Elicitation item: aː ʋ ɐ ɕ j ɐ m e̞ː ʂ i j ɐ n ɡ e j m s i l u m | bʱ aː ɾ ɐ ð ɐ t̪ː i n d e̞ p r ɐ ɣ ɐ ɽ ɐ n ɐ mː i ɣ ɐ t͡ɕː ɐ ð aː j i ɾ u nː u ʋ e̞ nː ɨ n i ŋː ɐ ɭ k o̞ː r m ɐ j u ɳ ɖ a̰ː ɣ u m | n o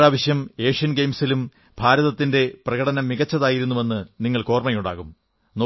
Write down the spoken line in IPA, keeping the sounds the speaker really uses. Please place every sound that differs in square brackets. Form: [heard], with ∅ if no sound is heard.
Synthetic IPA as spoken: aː ʋ ɐ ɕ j ɐ m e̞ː ʂ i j ɐ n ɡ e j m s i l u m | bʱ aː ɾ ɐ ð ɐ t̪ː i n d e̞ p r ɐ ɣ ɐ ɽ ɐ n ɐ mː i ɣ ɐ t͡ɕː ɐ ð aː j i ɾ u nː u ʋ e̞ nː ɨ n i ŋː ɐ ɭ k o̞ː r m ɐ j u ɳ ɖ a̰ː ɣ u m | n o